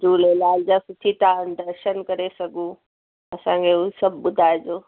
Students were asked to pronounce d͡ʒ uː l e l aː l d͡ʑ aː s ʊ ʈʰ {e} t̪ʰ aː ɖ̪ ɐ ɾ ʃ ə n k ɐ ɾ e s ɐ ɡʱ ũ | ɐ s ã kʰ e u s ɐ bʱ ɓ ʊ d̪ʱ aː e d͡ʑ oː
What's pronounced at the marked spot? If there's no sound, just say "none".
i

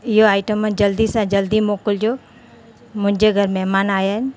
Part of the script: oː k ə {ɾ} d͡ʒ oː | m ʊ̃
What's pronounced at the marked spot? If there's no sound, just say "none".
l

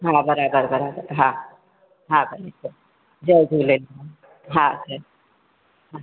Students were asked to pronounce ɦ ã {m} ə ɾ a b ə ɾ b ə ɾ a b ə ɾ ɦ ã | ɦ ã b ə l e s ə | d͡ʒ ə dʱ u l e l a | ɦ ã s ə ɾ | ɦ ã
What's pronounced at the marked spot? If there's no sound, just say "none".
b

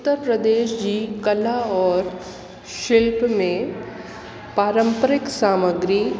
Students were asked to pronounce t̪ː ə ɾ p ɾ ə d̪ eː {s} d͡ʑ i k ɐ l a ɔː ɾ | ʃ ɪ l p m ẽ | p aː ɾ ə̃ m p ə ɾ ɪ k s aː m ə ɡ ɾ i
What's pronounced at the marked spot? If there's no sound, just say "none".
ʃ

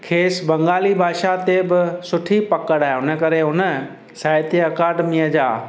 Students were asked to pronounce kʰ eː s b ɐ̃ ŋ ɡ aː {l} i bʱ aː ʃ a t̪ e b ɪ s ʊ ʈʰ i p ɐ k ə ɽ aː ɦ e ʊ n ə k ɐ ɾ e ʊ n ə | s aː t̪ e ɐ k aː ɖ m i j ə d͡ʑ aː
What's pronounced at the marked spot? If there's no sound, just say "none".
l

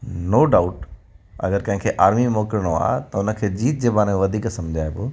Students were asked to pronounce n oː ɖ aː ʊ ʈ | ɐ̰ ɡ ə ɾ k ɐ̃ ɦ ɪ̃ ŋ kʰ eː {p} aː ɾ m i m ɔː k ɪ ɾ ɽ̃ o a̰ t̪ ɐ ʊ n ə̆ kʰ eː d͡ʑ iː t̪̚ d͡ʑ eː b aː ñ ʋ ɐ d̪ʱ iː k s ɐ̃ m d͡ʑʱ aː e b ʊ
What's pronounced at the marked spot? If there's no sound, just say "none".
ʔ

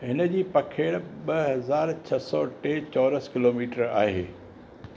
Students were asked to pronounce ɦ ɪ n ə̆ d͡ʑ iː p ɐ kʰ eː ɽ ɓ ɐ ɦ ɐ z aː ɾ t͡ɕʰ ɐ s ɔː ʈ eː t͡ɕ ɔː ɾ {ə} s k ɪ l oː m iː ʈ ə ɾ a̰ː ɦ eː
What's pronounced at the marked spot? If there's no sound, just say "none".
ə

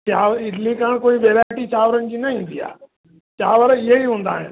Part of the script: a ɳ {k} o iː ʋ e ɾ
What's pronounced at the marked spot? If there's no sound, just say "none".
k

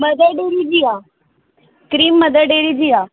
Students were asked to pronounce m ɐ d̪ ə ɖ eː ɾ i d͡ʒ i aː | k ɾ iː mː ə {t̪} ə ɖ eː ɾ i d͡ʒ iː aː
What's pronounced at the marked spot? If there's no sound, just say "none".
d̪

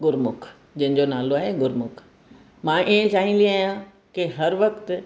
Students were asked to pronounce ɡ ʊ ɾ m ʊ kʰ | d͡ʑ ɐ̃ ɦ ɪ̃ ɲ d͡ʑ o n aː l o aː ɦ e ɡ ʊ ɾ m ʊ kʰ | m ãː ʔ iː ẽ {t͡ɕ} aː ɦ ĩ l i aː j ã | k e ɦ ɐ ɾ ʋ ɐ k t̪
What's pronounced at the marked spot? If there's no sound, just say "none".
t͡ɕ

